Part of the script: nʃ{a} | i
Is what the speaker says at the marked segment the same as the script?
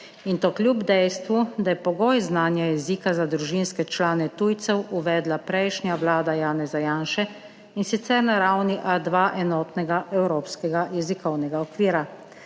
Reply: no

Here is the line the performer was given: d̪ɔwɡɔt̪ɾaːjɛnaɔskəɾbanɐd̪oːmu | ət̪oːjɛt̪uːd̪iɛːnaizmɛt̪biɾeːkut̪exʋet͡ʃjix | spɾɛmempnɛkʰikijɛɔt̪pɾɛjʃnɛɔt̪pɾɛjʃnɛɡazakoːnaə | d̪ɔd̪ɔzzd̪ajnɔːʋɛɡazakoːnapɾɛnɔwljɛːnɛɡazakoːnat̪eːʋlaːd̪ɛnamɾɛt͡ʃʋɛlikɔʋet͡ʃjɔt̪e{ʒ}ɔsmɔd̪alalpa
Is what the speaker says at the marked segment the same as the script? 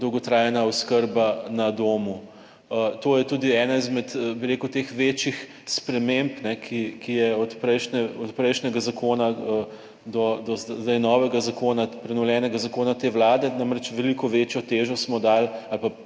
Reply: yes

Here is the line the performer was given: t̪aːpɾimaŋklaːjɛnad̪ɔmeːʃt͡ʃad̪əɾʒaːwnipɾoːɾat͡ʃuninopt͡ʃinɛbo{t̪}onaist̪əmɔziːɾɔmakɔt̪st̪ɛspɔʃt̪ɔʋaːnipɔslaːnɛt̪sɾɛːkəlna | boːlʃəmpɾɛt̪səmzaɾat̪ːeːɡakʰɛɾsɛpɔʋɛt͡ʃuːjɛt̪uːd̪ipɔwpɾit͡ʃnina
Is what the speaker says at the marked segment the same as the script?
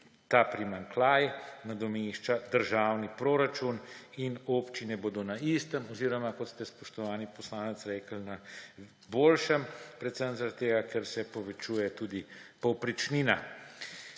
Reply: no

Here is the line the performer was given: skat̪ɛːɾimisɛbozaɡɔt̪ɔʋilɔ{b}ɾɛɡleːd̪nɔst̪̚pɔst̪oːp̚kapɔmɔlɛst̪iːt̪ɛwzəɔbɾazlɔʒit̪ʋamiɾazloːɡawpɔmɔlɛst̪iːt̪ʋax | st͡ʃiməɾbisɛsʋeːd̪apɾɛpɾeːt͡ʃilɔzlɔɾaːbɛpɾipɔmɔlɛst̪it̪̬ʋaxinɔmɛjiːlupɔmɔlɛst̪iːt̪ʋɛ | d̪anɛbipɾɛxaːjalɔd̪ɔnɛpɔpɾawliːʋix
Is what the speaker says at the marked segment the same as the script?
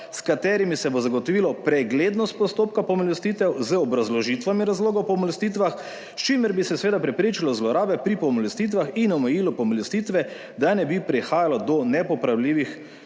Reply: no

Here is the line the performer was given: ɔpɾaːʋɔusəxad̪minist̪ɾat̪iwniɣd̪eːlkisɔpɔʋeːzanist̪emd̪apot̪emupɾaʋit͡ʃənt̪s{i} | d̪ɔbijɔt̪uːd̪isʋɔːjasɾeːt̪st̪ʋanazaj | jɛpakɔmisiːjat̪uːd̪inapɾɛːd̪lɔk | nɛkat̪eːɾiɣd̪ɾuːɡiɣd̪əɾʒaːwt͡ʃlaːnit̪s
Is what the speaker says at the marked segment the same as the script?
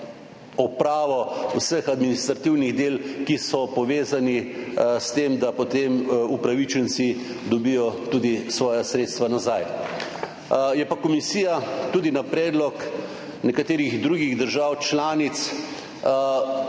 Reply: yes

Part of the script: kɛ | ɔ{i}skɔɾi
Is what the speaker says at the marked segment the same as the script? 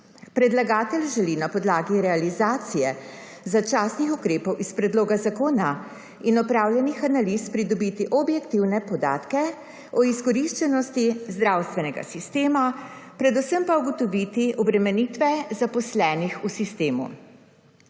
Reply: yes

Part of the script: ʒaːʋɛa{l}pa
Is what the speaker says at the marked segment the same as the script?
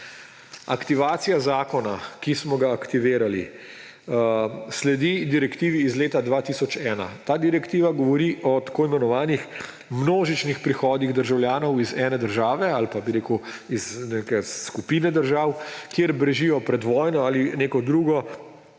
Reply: yes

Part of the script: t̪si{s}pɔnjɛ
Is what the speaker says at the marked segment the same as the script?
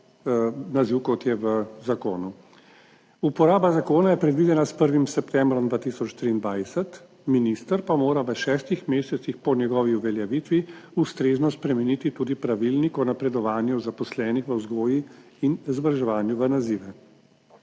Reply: no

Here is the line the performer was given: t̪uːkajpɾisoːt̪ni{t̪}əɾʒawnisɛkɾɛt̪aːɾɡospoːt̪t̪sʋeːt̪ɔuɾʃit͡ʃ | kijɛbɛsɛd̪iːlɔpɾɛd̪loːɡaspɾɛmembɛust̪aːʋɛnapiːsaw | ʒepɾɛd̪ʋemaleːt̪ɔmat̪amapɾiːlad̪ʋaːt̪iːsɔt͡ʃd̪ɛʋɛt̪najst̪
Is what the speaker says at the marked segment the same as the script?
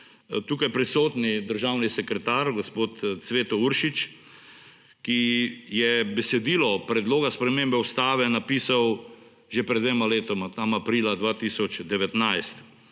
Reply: no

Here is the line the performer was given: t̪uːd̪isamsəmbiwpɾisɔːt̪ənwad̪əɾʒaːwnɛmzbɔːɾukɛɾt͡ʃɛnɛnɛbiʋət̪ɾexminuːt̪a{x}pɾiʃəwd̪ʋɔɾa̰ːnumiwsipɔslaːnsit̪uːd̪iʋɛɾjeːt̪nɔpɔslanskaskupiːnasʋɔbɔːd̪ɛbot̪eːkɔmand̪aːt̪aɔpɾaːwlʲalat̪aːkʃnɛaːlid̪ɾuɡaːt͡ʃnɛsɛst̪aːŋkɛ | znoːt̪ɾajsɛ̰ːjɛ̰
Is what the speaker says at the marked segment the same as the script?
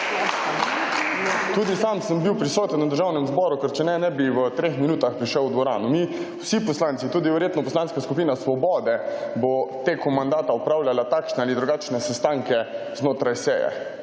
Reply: yes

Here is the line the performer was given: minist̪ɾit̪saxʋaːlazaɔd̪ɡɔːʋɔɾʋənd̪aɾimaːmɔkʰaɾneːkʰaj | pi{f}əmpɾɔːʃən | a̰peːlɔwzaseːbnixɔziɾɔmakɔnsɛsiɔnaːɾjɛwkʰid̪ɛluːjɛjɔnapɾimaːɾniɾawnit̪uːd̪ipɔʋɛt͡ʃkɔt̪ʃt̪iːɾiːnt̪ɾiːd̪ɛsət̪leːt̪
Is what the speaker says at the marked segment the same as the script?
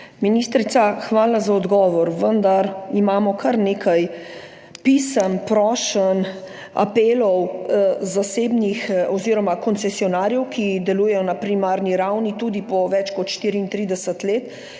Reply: no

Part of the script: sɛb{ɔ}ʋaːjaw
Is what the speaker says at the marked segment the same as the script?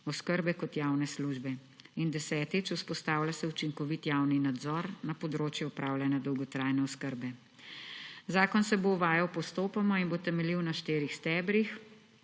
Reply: no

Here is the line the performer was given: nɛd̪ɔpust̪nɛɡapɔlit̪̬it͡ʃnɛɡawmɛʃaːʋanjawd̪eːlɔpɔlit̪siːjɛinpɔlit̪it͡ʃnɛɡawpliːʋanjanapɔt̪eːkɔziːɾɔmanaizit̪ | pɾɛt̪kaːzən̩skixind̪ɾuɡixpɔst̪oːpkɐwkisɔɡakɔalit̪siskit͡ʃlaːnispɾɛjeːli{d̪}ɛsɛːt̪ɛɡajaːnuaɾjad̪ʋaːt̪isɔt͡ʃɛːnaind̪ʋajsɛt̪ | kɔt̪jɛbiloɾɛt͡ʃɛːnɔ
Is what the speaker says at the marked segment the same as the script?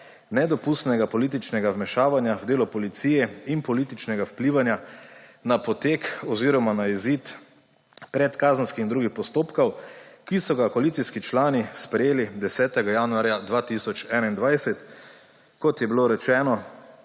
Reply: yes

